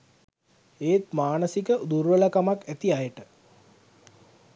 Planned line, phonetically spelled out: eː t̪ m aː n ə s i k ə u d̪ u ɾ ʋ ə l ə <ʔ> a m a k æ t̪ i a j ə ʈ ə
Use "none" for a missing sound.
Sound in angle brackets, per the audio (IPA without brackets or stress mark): k